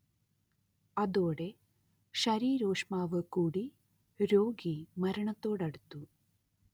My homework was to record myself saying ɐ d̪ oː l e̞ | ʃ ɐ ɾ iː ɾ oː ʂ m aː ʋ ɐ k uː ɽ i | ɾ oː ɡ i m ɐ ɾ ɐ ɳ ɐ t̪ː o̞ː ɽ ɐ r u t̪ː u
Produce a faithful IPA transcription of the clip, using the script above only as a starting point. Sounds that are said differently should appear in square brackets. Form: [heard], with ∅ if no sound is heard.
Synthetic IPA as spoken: ɐ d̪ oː [ɽ] e̞ | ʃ ɐ ɾ iː ɾ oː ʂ m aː ʋ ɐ k uː ɽ i | ɾ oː ɡ i m ɐ ɾ ɐ ɳ ɐ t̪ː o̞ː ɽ ɐ [ɽ] u t̪ː u